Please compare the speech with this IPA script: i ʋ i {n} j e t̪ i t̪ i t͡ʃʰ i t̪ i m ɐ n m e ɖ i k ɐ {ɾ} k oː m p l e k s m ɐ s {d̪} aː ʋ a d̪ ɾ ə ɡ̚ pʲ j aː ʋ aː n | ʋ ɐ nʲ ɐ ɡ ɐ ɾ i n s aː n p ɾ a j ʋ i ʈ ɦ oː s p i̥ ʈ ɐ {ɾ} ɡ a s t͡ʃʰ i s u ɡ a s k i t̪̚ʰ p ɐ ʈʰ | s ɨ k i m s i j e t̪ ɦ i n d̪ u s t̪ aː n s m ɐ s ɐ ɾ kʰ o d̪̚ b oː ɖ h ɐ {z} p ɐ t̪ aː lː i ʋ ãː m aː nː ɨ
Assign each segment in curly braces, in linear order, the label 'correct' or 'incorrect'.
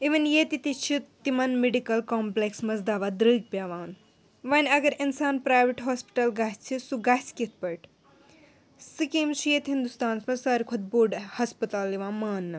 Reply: correct, incorrect: l, correct, incorrect: l, incorrect: s

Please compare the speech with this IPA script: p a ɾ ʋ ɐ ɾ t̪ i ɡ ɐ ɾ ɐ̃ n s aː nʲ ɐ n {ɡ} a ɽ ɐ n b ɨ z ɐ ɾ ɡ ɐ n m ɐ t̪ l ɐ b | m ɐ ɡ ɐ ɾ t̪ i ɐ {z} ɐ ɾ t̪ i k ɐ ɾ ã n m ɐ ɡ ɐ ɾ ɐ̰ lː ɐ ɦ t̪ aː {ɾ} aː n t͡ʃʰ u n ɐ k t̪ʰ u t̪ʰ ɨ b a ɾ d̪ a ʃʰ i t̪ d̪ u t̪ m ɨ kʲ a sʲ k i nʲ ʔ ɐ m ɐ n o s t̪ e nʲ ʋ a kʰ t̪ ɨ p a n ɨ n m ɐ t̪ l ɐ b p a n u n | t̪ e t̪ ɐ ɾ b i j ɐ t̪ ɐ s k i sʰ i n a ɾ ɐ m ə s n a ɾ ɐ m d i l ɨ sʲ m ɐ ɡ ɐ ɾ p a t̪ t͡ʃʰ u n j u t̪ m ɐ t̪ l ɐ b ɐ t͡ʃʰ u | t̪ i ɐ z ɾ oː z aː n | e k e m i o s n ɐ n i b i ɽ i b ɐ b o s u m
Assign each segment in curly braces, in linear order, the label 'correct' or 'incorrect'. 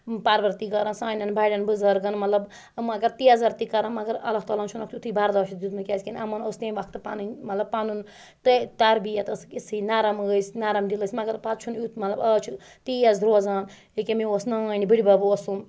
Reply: incorrect: b, correct, incorrect: l

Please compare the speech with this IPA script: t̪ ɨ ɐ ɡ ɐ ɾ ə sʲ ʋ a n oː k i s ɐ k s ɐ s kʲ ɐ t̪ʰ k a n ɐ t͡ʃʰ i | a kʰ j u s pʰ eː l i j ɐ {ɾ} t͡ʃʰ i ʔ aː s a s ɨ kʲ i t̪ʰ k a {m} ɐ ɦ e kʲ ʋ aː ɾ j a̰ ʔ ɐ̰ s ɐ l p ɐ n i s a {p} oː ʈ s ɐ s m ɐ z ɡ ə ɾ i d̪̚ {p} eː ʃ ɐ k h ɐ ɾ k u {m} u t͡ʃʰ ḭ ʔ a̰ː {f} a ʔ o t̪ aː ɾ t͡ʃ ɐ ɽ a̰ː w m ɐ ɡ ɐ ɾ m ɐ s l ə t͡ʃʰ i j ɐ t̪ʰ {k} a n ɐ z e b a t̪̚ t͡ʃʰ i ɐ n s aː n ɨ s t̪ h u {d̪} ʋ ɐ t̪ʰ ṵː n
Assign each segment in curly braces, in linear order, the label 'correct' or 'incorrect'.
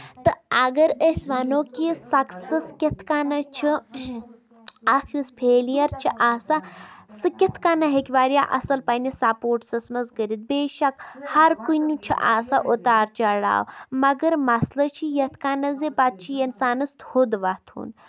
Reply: correct, incorrect: n, correct, incorrect: b, incorrect: n, incorrect: s, correct, correct

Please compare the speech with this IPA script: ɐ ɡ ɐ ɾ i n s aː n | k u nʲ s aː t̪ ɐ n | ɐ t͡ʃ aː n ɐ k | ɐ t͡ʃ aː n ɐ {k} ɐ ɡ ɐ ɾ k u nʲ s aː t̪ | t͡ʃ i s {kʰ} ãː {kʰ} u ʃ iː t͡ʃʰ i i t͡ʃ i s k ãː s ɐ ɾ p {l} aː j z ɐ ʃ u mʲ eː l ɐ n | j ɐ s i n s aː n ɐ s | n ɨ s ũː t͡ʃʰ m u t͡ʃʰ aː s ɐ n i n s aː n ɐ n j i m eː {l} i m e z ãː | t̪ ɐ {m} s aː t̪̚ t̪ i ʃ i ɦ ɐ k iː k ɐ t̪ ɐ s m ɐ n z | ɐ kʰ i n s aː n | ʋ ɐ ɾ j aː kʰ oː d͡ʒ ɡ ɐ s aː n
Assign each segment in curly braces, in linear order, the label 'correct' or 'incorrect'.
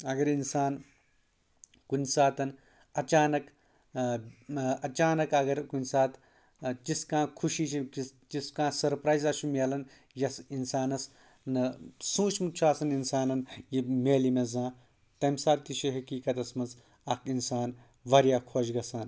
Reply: correct, incorrect: k, correct, incorrect: ɾ, correct, correct

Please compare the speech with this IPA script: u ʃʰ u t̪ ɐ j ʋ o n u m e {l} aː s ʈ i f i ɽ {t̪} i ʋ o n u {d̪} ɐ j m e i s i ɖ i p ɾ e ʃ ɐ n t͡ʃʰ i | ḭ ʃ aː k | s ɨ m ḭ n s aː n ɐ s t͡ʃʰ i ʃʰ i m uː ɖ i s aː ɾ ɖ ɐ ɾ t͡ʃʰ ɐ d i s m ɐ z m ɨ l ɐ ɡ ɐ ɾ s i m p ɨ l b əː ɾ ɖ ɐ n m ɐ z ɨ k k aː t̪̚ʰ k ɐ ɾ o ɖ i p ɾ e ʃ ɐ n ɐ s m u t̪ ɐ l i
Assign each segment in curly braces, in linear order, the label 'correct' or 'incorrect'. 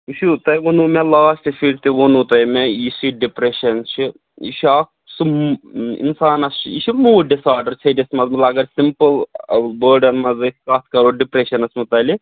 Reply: correct, correct, incorrect: t̪

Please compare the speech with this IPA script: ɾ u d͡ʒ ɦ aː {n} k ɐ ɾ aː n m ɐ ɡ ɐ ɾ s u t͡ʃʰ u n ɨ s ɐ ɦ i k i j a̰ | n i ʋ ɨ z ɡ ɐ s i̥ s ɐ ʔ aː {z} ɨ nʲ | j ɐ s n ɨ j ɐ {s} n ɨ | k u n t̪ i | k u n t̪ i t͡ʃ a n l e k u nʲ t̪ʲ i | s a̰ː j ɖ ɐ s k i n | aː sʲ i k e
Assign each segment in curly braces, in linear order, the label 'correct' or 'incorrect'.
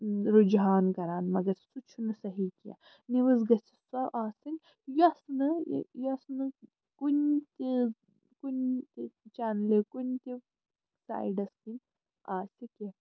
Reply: correct, incorrect: s, correct

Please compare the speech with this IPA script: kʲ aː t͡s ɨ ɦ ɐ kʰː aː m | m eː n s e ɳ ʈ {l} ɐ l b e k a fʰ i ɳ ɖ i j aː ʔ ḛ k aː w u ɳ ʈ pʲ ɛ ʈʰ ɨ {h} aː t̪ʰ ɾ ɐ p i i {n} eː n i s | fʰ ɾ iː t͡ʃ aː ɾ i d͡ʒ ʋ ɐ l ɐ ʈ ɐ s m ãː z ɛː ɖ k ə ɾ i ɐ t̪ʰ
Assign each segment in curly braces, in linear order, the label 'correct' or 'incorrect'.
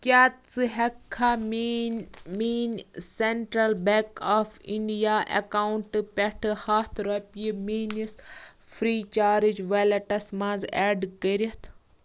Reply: incorrect: ɾ, correct, incorrect: m

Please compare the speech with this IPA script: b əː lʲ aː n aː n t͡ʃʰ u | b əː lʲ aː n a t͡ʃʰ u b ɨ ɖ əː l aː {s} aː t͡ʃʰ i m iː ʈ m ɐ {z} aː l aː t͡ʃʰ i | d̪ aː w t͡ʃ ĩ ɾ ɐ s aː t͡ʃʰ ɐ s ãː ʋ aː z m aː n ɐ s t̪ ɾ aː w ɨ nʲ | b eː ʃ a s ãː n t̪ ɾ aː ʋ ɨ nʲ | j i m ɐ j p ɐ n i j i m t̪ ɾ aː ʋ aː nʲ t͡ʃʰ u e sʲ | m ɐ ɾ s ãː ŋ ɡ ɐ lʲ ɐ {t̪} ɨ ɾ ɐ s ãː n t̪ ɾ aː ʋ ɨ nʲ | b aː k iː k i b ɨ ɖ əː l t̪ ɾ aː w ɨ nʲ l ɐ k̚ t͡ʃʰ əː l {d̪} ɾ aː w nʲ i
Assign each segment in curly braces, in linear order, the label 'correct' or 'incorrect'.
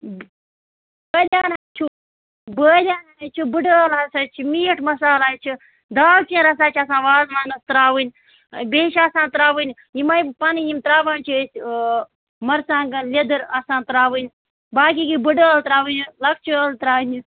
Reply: correct, incorrect: s, incorrect: d̪, incorrect: t̪

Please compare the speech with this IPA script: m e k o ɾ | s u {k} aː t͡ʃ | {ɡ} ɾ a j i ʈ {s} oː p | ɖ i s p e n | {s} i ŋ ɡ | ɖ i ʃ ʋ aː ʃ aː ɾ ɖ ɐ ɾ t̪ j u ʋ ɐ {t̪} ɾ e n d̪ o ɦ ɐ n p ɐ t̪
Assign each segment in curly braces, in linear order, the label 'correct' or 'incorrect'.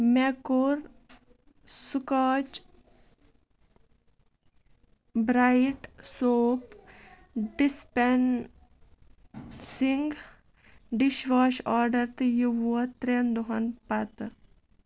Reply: correct, incorrect: b, correct, correct, correct

